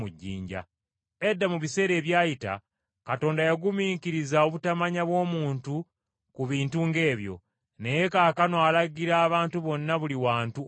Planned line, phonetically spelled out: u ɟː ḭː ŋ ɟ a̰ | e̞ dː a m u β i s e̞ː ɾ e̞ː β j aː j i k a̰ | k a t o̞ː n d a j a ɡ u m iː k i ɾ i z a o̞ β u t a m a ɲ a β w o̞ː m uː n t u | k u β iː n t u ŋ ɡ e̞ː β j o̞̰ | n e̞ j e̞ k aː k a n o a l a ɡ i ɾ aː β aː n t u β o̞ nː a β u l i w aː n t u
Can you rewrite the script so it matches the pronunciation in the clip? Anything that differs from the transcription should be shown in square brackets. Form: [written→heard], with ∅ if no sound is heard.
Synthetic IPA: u ɟː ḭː [ŋ→ɲ] ɟ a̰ | e̞ dː a m u β i s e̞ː ɾ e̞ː β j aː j i [k→t] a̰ | k a t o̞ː n d a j a ɡ u m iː k i ɾ i z a o̞ β u t a m a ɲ a β w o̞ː m uː n t u | k u β iː n t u ŋ ɡ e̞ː β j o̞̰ | n e̞ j e̞ k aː k a n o a l a ɡ i ɾ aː β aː n t u β o̞ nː a β u l i w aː n t u